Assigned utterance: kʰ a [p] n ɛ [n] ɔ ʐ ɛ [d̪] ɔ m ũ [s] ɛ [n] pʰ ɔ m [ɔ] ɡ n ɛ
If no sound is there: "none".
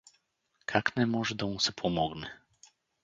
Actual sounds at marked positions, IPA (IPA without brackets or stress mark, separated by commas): k, m, d̪, s, none, ɔ